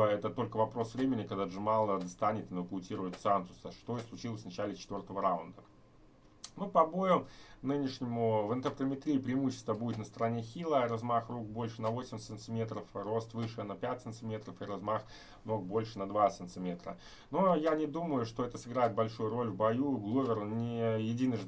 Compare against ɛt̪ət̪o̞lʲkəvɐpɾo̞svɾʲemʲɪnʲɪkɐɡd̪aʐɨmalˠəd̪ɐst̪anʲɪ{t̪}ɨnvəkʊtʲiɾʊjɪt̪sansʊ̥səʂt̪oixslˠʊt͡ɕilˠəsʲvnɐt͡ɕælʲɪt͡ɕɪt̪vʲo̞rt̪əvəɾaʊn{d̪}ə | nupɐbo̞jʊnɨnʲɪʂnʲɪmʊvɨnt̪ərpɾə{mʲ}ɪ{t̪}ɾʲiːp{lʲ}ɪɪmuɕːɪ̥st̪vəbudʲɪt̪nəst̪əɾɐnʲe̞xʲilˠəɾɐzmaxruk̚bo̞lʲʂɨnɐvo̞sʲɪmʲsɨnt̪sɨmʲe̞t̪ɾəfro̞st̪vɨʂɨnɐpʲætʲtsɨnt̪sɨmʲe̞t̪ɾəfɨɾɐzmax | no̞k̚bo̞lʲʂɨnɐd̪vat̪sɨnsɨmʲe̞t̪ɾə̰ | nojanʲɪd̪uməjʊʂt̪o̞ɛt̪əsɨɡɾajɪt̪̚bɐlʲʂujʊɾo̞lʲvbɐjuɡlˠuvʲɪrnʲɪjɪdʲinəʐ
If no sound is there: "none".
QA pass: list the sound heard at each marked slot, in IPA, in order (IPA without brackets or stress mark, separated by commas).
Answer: t̪, d̪, mʲ, t̪, ɾʲ